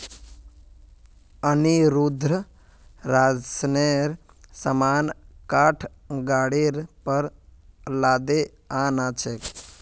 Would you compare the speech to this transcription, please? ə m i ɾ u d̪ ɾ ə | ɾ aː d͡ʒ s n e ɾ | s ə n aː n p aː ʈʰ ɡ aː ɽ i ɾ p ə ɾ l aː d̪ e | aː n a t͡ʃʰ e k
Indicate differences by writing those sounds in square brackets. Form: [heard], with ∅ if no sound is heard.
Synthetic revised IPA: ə [n] i ɾ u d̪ ɾ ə | ɾ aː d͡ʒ s n e ɾ | s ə [m] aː n [k] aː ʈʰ ɡ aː ɽ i ɾ p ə ɾ l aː d̪ e | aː n a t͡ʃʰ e k